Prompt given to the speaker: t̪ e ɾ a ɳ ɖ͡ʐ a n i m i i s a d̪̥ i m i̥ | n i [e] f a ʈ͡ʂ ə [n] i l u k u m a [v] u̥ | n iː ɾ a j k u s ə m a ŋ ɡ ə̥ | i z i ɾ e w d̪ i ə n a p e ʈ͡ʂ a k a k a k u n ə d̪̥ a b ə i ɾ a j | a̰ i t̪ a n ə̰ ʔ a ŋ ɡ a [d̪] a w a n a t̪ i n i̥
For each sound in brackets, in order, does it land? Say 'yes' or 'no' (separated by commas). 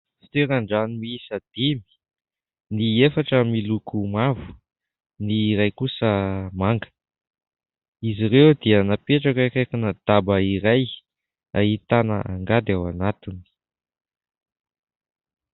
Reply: yes, no, yes, yes